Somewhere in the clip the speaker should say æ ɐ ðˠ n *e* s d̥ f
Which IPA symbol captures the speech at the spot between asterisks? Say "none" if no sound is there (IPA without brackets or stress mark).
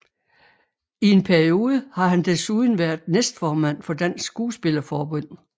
e